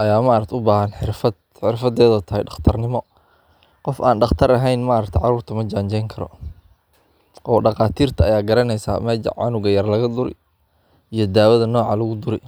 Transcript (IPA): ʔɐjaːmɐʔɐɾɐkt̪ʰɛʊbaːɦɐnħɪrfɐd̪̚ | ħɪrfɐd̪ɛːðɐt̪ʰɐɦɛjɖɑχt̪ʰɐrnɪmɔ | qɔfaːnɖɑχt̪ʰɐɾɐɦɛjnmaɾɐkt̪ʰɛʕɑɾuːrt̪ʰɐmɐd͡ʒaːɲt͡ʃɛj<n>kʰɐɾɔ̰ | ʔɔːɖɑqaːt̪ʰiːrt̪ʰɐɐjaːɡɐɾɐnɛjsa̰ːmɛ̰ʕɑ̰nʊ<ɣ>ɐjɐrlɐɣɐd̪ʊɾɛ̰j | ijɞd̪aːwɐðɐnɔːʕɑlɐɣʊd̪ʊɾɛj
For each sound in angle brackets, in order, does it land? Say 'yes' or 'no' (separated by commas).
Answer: no, yes